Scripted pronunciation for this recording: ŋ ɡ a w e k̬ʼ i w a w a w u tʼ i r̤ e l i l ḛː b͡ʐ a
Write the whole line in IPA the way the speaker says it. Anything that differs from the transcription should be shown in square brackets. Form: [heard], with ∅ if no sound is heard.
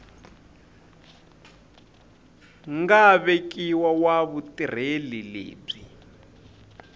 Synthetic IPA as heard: ŋ ɡ a [β] e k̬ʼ i w a w a [β] u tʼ i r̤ e l i l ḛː b͡ʐ [i]